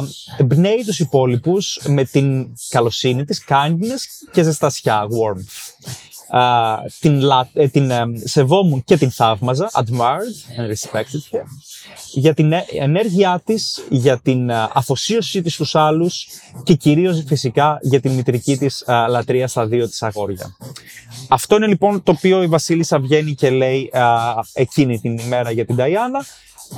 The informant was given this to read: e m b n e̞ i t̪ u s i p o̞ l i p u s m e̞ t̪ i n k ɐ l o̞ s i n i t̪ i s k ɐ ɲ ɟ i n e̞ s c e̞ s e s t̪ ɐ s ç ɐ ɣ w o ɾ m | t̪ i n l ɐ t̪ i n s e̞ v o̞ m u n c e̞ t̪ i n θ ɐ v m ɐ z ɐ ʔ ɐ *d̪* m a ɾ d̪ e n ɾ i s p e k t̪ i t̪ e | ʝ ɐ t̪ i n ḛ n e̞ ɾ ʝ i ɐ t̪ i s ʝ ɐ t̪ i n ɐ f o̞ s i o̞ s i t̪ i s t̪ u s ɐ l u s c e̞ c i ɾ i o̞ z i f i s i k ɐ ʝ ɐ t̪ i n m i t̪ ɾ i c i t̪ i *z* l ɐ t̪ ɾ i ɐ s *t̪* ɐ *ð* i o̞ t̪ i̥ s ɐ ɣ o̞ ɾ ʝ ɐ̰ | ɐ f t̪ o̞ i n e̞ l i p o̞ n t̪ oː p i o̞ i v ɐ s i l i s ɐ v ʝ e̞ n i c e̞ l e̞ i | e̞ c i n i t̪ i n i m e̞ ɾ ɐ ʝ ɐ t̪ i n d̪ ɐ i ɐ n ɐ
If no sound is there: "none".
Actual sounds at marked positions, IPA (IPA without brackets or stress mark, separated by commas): d̪, s, t̪, ð